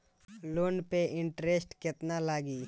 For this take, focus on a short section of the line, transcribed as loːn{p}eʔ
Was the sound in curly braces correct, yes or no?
yes